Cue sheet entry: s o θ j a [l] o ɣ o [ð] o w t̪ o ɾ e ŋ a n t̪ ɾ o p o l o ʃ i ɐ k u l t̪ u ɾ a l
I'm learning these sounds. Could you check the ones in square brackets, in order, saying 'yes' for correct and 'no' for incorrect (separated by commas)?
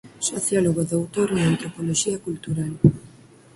yes, yes